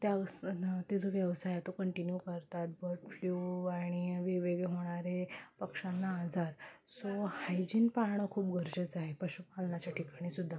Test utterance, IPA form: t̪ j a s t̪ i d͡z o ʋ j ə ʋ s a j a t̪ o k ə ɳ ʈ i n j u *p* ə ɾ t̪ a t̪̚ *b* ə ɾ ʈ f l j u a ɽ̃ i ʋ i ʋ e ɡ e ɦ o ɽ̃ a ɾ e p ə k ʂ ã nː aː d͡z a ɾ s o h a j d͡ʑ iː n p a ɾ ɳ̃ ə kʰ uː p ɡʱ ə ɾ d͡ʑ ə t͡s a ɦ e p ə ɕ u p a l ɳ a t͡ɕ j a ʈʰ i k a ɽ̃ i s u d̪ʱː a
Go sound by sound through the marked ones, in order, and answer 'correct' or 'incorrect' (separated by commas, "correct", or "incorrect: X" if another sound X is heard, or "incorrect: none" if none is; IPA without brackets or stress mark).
incorrect: k, correct